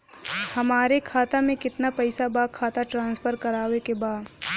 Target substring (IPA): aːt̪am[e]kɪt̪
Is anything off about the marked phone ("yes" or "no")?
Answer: yes